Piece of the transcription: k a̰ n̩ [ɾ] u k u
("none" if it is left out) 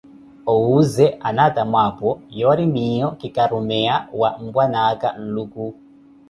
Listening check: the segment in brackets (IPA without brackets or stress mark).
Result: l